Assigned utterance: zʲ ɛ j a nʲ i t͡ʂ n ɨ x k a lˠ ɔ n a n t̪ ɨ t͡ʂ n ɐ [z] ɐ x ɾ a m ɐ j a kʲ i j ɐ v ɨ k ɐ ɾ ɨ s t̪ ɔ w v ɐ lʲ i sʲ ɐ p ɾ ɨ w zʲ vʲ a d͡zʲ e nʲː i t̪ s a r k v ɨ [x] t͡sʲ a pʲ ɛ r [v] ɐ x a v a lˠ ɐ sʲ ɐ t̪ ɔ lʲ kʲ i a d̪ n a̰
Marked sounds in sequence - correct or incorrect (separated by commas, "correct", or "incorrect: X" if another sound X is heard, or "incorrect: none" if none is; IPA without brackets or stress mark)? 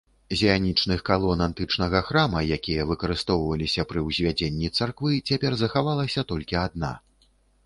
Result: incorrect: ɣ, incorrect: none, incorrect: z